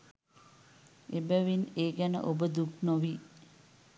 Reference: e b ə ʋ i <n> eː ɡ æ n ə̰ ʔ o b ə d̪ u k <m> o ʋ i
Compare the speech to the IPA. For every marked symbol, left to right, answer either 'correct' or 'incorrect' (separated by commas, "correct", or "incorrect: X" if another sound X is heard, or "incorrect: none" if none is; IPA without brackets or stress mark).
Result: correct, incorrect: n